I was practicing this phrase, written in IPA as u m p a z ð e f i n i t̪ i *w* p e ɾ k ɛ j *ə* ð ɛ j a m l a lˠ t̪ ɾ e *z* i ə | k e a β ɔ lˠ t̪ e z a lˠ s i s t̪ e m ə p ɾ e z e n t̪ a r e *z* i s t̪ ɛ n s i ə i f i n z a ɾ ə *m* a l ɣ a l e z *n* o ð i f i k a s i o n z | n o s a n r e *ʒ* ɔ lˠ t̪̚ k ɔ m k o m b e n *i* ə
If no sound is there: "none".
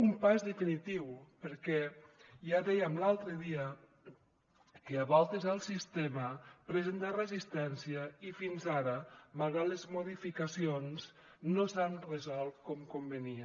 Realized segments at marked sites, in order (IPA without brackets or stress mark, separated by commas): w, a, ð, z, m, m, z, i